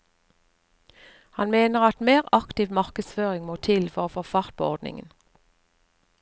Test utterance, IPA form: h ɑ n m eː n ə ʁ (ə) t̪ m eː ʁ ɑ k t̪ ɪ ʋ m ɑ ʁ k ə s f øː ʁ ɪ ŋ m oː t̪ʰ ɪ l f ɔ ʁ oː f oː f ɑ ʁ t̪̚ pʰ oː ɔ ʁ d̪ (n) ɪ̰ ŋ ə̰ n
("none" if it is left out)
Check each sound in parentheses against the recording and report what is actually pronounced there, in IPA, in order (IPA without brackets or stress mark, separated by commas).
ɑ, n